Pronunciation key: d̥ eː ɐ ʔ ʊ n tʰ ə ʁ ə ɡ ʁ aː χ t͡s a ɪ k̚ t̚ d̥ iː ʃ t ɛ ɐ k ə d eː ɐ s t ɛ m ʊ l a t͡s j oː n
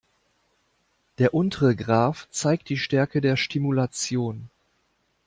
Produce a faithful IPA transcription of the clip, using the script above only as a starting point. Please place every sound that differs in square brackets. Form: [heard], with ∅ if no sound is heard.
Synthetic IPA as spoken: d̥ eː ɐ ʔ ʊ n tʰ ə ʁ ə ɡ ʁ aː [f] t͡s a ɪ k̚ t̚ d̥ iː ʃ t ɛ ɐ k ə d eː ɐ [ʃ] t [i] m [u] l a t͡s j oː n

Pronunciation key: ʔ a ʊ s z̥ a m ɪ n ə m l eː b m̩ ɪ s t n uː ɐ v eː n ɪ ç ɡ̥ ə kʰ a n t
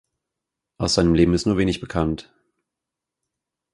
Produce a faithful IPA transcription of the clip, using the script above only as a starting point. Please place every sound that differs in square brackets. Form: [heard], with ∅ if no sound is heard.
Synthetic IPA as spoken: ʔ a ʊ s z̥ a [∅] ɪ n ə m l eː b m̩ ɪ s t n uː ɐ v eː n ɪ ç [b̥] ə kʰ a n t

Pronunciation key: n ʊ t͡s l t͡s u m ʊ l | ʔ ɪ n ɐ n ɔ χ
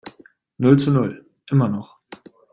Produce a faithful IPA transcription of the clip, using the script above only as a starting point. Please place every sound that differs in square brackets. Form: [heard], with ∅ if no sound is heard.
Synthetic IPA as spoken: n ʊ [∅] l t͡s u [n] ʊ l | ʔ ɪ [m] ɐ n ɔ χ

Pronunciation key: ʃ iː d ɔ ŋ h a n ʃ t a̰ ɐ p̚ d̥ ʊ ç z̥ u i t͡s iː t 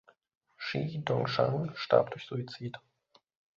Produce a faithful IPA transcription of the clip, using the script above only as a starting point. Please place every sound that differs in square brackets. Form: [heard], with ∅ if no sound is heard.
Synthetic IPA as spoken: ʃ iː d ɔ ŋ [ʃ] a [ŋ] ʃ t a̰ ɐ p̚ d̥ ʊ ç z̥ u i t͡s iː t

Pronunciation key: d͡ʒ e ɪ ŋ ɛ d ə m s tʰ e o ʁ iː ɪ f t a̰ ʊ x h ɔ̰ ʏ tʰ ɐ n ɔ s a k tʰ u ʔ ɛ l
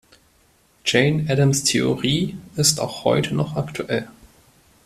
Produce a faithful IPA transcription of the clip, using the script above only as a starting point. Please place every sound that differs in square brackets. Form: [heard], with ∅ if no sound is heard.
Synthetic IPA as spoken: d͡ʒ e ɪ [n] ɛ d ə m s tʰ e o ʁ iː ɪ [s] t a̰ ʊ x h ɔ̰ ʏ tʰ [ə] n ɔ [χ] a k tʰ u ʔ ɛ l

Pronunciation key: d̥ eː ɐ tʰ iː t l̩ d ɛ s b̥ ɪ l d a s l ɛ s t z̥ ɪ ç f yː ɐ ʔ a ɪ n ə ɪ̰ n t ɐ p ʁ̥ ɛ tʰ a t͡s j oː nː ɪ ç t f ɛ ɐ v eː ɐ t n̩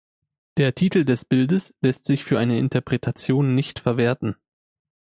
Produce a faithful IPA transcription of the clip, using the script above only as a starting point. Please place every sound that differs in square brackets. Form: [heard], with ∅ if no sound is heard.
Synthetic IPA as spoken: d̥ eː ɐ tʰ iː t l̩ d ɛ s b̥ ɪ l d [ə] s l ɛ s t z̥ ɪ ç f yː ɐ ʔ a ɪ n ə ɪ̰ n t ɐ p ʁ̥ ɛ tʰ a t͡s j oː nː ɪ ç t f ɛ ɐ v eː ɐ t n̩

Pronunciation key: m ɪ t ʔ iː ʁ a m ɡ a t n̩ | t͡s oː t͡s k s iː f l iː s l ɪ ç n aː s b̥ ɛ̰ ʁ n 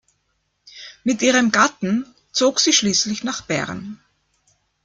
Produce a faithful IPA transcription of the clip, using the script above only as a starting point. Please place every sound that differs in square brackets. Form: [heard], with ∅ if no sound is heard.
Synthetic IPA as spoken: m ɪ t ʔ iː ʁ [ə] m ɡ a t n̩ | t͡s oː [∅] k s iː [ʃ] l iː s l ɪ ç n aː [χ] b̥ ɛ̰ ʁ n

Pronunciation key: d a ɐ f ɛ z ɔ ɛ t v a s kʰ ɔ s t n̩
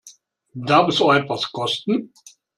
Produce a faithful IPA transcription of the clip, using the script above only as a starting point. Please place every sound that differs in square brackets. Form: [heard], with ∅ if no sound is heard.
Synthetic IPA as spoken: d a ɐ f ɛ [s] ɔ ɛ t v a s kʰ ɔ s t n̩

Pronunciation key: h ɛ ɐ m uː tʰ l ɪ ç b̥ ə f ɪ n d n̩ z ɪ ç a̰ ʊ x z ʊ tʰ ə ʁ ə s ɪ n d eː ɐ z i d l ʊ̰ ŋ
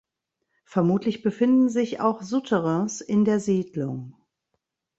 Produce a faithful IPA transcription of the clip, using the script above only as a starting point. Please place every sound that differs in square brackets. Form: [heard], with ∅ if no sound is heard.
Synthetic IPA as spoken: [f] ɛ ɐ m uː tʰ l ɪ ç b̥ ə f ɪ n d n̩ z ɪ ç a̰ ʊ x z ʊ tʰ ə ʁ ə s ɪ n d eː ɐ z [iː] d l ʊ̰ ŋ

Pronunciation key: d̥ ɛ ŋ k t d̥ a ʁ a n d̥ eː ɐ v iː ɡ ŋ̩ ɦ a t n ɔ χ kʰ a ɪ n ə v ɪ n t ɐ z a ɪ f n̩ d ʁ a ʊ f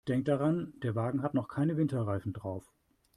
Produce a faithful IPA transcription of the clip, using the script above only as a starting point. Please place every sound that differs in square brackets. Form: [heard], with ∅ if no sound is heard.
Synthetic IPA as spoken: d̥ ɛ ŋ k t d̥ a ʁ a n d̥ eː ɐ v [aː] ɡ ŋ̩ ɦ a t n ɔ χ kʰ a ɪ n ə v ɪ n t ɐ [ʁ] a ɪ f n̩ d ʁ a ʊ f

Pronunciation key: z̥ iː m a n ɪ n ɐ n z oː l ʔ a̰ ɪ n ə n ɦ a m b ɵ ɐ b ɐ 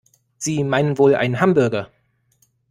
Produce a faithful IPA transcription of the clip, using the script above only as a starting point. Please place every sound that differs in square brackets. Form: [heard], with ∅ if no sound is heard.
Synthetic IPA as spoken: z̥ iː m a [∅] ɪ n [ə] n [v] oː l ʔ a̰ ɪ n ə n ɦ a m b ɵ ɐ [ɡ] ɐ

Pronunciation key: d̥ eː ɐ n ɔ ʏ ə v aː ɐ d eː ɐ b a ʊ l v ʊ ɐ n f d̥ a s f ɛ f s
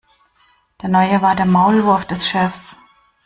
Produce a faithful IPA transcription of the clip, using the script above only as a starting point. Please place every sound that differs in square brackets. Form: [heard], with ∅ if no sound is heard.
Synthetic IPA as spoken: d̥ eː ɐ n ɔ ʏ ə v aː ɐ d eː ɐ [m] a ʊ l v ʊ ɐ [∅] f d̥ [ɛ] s [ʃ] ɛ f s

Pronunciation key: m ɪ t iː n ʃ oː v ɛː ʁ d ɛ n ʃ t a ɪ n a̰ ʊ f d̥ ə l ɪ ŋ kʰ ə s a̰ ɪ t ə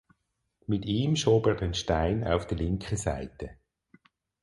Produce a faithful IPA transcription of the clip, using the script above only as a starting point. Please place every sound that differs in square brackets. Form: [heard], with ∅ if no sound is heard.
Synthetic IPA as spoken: m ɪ t iː [m] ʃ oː [b] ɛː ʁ d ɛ n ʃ t a ɪ n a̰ ʊ f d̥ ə l ɪ ŋ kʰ ə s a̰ ɪ t ə

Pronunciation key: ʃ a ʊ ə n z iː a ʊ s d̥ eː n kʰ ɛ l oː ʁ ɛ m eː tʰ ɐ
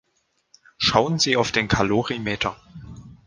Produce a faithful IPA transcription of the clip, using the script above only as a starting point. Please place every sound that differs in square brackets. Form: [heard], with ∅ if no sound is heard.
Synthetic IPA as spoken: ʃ a ʊ ə n z iː a ʊ [f] d̥ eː n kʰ [a] l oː ʁ [i] m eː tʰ ɐ

